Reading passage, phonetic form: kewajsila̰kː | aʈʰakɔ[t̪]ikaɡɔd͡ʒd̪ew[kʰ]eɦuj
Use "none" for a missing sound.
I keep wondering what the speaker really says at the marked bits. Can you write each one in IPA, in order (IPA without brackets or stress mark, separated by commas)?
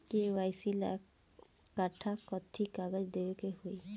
t̪ʰ, k